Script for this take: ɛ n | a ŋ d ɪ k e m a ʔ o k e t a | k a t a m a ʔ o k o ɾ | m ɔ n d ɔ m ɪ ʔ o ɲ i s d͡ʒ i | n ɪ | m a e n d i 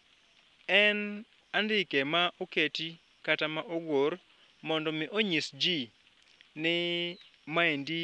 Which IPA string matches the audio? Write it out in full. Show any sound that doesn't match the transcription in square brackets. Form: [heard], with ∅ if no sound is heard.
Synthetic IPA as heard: ɛ n | a [n] d ɪ k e m a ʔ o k e t [i] | k a t a m a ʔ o [ɡ] o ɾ | m ɔ n d ɔ m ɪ ʔ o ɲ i s d͡ʒ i | n ɪ | m a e n d i